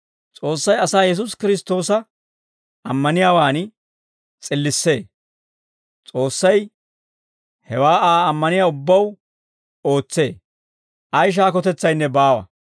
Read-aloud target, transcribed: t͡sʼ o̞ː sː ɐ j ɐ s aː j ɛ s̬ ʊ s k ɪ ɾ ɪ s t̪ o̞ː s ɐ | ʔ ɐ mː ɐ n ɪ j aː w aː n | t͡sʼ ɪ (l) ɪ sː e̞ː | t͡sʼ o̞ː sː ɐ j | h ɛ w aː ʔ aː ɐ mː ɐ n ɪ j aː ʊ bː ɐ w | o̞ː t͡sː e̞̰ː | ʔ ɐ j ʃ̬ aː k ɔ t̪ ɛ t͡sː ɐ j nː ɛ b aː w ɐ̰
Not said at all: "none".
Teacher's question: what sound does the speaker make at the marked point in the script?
lː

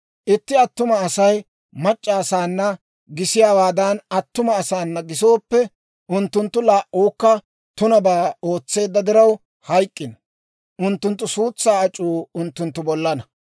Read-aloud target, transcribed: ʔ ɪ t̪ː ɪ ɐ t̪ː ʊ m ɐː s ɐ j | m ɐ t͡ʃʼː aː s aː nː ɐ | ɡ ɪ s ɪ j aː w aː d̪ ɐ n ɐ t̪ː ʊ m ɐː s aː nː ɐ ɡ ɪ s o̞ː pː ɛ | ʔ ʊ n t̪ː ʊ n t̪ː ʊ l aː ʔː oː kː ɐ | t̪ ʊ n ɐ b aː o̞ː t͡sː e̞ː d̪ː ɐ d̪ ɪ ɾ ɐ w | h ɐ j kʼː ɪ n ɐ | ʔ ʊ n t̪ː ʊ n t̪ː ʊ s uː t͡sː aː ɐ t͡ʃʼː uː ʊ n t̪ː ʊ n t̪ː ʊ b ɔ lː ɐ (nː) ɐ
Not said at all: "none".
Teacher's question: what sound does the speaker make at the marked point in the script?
n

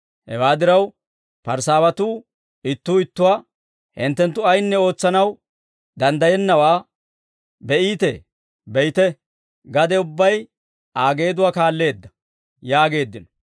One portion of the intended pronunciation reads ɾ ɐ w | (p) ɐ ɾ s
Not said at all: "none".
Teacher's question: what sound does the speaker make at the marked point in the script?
p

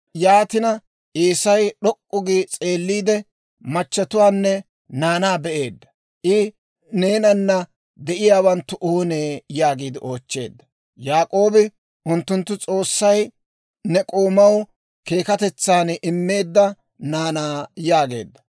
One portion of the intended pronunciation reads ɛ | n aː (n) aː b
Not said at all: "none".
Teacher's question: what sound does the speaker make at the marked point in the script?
n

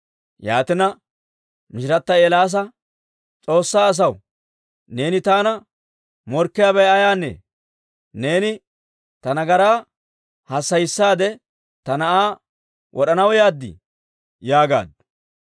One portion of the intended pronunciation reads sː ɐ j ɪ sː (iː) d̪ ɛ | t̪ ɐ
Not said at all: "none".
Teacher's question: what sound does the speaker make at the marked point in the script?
aː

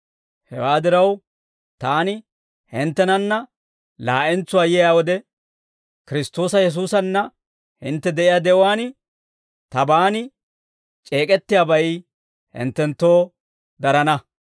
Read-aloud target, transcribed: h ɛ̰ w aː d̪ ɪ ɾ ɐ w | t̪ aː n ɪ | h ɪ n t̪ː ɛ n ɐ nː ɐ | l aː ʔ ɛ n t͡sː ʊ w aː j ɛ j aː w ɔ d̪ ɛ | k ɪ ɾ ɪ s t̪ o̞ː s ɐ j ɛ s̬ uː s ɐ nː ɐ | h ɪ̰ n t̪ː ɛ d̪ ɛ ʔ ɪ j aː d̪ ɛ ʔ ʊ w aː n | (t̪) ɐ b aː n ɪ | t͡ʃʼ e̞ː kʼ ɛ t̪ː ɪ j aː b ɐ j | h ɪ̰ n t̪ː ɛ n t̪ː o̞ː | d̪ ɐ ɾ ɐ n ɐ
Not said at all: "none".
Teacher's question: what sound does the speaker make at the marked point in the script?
t̪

